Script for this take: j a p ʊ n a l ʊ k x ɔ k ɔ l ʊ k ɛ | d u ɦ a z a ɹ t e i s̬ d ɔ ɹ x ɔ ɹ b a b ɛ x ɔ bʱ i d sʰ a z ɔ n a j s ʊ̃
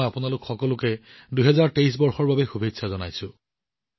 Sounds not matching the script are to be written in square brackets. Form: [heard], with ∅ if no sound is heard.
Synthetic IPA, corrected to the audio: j a p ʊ n a l ʊ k x ɔ k ɔ l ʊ k ɛ | d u ɦ [ɛ] z a ɹ t e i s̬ [b] ɔ ɹ x ɔ ɹ b a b ɛ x [u] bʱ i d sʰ a z ɔ n a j s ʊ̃

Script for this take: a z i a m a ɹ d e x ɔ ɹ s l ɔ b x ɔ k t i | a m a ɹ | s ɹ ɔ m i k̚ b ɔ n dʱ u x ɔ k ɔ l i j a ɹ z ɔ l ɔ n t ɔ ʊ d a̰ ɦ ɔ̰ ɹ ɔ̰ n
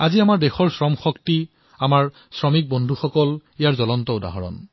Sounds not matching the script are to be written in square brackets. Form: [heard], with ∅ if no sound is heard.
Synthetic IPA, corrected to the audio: a z i a m a ɹ d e x ɔ ɹ s [ɹ] ɔ [m] x ɔ k t i | a m a ɹ | s ɹ ɔ m i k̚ b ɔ n dʱ u x ɔ k ɔ l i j a ɹ z ɔ l ɔ n t ɔ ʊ d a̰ ɦ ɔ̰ ɹ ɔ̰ n

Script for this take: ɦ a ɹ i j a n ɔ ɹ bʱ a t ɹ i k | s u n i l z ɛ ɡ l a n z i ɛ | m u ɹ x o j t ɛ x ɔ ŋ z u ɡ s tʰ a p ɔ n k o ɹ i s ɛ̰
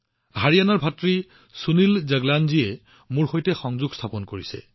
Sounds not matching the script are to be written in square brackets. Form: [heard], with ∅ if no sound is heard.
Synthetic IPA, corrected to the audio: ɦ a ɹ i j a n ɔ ɹ bʱ a t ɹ i [∅] | s u n i l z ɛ ɡ l a n z i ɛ | m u ɹ x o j t ɛ x ɔ ŋ z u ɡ s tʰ a p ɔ n k o ɹ i s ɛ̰

